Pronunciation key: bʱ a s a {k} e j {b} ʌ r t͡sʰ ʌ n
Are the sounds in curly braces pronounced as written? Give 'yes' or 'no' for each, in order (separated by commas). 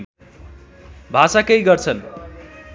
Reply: yes, no